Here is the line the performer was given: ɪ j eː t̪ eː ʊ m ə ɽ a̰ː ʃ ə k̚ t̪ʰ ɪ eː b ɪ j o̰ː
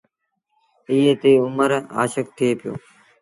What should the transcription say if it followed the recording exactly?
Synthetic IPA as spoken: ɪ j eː t̪ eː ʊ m ə ɾ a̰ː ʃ ə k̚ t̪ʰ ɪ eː p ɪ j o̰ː